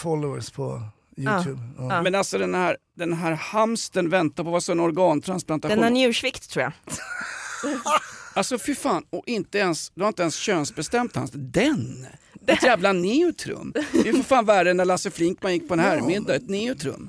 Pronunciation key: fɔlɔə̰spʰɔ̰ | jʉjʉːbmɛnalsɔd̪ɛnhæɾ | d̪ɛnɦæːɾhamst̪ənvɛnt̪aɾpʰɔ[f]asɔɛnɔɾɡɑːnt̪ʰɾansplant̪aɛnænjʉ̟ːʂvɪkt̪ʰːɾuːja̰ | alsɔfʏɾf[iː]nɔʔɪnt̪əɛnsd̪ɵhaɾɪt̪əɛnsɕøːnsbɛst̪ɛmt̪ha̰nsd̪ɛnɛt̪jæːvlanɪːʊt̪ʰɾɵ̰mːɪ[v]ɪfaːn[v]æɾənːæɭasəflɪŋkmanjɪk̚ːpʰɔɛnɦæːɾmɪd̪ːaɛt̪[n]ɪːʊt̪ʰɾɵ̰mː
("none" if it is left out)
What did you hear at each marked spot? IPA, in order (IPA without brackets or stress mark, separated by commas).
v, aː, f, v, n